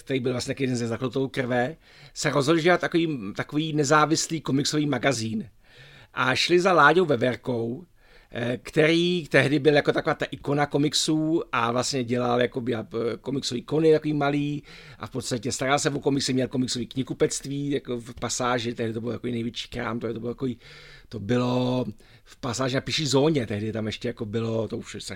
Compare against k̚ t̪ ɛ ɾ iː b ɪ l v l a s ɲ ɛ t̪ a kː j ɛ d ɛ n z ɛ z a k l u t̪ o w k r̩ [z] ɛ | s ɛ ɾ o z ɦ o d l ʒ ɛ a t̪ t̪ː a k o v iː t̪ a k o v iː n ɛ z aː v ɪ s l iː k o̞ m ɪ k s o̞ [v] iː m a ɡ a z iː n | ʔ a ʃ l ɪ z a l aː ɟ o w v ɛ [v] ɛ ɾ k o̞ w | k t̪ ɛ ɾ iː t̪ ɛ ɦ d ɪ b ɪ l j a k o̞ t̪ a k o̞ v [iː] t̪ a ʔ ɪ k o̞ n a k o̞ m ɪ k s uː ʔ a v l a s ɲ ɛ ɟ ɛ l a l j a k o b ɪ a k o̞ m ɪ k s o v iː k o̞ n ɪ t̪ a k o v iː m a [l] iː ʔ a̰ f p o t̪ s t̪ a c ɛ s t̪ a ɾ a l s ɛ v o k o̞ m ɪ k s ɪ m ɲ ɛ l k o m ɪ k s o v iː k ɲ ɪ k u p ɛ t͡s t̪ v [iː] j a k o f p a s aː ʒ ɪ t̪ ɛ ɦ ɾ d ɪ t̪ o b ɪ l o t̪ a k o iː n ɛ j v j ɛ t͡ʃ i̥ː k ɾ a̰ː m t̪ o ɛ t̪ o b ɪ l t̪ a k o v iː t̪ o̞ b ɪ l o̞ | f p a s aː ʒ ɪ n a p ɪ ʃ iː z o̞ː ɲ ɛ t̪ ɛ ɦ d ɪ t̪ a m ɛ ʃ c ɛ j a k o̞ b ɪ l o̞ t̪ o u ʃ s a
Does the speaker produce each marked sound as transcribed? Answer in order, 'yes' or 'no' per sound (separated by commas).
no, yes, yes, no, yes, yes